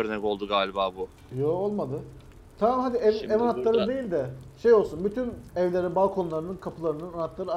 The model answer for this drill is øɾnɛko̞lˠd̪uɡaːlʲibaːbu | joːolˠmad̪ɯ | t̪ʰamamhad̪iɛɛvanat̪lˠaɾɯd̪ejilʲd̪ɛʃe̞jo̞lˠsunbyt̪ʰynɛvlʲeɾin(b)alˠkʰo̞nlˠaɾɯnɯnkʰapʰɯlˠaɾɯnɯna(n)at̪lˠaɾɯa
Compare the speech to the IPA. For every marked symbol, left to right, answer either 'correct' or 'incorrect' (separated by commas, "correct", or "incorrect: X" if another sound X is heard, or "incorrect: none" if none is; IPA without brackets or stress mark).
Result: correct, correct